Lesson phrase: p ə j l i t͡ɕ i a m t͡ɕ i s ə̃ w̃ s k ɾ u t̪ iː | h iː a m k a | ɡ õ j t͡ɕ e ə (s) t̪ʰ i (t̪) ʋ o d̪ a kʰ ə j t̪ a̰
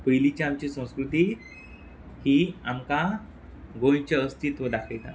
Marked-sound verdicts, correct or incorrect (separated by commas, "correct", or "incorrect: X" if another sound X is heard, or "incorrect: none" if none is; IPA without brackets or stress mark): correct, correct